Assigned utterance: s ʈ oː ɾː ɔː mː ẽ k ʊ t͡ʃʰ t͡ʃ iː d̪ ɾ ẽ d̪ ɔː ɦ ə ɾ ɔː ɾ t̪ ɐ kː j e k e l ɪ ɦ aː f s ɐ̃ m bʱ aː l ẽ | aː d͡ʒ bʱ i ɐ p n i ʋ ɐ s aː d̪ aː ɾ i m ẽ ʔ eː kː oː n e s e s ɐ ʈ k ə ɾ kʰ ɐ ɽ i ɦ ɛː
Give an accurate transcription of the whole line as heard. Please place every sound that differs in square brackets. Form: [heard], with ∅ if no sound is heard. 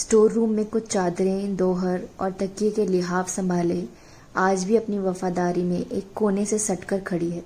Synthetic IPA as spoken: s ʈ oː ɾː [uː] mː ẽ k ʊ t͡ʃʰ t͡ʃ [aː] d̪ ɾ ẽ d̪ ɔː ɦ ə ɾ ɔː ɾ t̪ ɐ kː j e k e l ɪ ɦ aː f s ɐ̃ m bʱ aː l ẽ | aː d͡ʒ bʱ i ɐ p n i ʋ ɐ [f] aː d̪ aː ɾ i m ẽ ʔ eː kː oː n e s e s ɐ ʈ k ə ɾ kʰ ɐ ɽ i ɦ ɛː